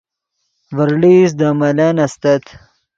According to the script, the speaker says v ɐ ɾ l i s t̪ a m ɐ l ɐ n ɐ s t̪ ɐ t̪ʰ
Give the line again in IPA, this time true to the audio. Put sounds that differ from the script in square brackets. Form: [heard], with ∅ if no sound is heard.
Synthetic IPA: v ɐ ɾ l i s [d̪] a m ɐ l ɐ n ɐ s t̪ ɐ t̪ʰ